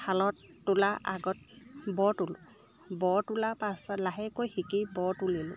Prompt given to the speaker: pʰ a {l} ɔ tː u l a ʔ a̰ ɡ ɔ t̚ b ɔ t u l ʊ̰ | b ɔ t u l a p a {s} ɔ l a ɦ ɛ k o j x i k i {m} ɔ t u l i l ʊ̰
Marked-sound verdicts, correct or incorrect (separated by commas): correct, correct, incorrect